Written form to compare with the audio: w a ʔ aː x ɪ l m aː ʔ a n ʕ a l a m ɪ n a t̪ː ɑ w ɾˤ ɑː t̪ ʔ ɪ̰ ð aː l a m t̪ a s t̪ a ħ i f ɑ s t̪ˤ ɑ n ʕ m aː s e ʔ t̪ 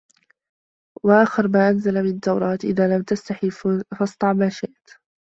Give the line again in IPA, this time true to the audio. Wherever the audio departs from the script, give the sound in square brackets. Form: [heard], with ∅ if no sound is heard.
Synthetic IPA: w a ʔ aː x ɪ [ɾ] m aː ʔ a n [z] a l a m ɪ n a t̪ː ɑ w ɾˤ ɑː t̪ ʔ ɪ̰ ð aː l a m t̪ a s t̪ a ħ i f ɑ s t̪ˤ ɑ [∅] ʕ m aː [ʃ] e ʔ t̪